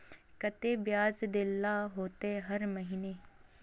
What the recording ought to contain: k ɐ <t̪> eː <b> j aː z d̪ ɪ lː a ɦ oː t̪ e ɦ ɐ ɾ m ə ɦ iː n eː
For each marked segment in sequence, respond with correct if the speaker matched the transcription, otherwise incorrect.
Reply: correct, correct

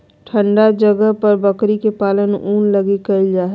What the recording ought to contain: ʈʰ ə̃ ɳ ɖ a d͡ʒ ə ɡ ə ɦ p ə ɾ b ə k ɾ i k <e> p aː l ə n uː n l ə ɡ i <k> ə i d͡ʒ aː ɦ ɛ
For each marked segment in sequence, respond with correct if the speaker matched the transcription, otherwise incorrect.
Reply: correct, correct

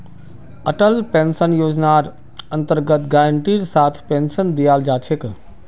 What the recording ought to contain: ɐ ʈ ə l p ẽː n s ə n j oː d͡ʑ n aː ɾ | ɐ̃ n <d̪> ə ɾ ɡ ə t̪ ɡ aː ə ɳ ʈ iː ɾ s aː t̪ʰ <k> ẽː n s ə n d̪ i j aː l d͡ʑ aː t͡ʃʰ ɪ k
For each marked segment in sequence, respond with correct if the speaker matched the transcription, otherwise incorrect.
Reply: incorrect: t̪, incorrect: p

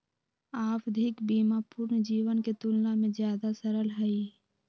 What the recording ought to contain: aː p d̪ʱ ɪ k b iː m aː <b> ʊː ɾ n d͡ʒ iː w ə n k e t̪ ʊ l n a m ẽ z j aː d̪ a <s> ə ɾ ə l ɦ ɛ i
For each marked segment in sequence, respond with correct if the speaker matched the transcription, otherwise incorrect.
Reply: incorrect: p, correct

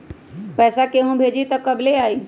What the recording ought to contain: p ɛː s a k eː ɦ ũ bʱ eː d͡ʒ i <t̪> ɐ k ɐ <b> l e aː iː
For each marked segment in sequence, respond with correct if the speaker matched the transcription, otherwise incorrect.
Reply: correct, correct

